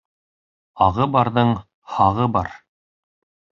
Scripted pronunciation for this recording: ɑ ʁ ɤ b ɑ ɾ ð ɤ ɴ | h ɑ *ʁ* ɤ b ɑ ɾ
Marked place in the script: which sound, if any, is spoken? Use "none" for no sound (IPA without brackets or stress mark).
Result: ʁ